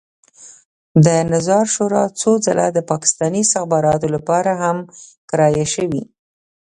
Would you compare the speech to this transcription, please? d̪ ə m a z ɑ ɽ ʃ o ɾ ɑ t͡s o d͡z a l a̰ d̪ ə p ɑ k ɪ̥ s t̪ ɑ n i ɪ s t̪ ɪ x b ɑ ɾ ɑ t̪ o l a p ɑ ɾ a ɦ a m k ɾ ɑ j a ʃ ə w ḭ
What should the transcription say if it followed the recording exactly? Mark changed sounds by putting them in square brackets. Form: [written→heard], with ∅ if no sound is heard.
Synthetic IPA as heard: d̪ ə [m→n] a z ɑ [ɽ→ɾ] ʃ o ɾ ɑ t͡s o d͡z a l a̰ d̪ ə p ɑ k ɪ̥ s t̪ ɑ n i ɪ s t̪ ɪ x b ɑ ɾ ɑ t̪ o l a p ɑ ɾ a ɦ a m k ɾ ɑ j a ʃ ə w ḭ